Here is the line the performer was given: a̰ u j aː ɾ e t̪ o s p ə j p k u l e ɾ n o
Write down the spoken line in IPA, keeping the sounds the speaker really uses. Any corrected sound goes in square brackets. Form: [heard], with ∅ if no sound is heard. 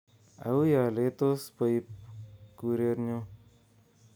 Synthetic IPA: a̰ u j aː [l] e t̪ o s p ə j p k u [ɾ] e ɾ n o